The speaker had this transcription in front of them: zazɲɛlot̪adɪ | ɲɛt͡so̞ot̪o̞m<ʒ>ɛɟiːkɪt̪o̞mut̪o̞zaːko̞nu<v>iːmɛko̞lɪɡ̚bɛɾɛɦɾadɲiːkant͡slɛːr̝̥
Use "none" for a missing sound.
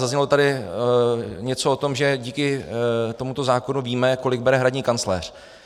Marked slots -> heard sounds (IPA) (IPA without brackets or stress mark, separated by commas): ʒ, v